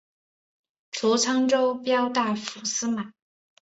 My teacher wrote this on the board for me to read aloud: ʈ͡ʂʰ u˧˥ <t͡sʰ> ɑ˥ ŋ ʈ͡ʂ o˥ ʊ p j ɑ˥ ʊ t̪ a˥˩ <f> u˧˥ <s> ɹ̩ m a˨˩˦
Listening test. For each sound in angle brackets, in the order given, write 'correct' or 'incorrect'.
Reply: correct, correct, correct

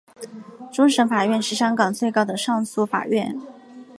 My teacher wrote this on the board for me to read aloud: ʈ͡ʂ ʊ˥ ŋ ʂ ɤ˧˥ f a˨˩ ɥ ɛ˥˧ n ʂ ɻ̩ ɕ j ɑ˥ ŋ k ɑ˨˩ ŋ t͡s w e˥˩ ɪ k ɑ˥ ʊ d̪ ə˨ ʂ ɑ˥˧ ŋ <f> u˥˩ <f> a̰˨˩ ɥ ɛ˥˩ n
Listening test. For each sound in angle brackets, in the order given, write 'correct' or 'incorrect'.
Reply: incorrect: s, correct

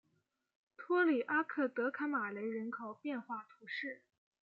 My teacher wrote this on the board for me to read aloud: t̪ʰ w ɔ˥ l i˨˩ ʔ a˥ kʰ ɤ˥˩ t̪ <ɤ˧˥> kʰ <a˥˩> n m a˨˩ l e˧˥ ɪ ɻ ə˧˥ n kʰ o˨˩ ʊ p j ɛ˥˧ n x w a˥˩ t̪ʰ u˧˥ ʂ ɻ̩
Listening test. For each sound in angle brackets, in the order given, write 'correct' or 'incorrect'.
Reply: correct, incorrect: a˧˥

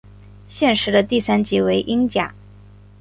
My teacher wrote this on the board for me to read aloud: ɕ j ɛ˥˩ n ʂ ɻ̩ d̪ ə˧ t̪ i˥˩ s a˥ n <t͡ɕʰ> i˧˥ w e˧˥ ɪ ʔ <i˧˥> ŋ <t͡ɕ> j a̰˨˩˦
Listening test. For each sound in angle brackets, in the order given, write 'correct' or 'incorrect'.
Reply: incorrect: t͡ɕ, incorrect: i˥, correct

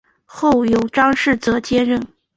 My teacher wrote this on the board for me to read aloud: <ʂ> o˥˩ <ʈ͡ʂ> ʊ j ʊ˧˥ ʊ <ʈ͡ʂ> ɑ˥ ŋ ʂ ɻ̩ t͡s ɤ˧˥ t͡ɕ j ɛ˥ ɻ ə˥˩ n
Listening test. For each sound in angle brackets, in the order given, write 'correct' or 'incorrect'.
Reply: incorrect: x, incorrect: none, correct

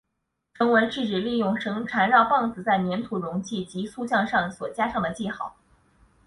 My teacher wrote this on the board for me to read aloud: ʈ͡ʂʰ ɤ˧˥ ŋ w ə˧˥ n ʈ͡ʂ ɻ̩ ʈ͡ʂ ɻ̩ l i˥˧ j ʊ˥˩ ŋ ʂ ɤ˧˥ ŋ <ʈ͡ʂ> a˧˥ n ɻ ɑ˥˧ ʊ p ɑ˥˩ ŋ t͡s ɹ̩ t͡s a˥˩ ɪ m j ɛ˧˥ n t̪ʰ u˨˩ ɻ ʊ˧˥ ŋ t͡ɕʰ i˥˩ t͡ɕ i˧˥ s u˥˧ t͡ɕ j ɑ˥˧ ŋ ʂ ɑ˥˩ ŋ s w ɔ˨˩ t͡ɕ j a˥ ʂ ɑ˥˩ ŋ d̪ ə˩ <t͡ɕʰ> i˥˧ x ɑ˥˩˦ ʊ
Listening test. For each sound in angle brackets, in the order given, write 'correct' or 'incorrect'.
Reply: incorrect: ʈ͡ʂʰ, incorrect: t͡ɕ

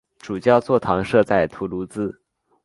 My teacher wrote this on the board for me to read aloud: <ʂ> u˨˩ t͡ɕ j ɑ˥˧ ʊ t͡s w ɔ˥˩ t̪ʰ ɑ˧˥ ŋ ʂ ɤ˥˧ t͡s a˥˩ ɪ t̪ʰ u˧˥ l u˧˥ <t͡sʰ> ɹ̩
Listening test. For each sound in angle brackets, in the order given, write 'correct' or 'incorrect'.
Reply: incorrect: ʈ͡ʂ, incorrect: t͡s

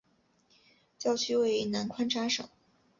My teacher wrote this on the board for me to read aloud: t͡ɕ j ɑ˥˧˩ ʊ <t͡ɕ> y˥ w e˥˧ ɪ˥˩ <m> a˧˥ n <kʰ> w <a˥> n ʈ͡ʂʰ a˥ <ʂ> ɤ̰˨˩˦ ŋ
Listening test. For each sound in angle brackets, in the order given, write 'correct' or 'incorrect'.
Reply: incorrect: t͡ɕʰ, incorrect: n, correct, correct, correct

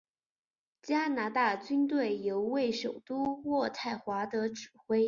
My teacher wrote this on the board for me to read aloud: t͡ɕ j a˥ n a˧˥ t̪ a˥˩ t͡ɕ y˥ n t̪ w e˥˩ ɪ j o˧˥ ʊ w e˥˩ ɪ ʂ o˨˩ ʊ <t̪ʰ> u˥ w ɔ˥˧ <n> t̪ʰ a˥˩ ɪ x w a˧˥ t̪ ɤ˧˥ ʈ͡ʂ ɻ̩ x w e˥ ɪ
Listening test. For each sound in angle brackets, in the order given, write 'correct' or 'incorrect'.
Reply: incorrect: t̪, incorrect: none

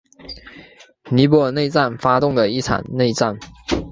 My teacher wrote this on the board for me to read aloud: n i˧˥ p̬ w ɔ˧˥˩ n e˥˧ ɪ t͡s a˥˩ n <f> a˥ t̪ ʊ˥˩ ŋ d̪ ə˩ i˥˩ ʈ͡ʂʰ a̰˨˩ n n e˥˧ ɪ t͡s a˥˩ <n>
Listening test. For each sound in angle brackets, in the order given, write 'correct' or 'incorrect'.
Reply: correct, correct

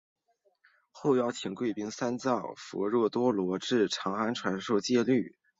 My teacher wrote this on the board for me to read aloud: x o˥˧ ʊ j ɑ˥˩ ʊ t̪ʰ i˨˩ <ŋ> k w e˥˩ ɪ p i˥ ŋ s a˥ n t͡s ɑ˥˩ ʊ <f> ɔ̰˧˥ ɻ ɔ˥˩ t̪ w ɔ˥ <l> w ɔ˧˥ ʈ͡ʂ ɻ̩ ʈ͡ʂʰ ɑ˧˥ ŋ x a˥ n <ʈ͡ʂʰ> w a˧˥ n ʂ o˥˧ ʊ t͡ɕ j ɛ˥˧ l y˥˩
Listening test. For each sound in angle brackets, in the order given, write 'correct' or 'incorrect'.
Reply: correct, correct, correct, correct

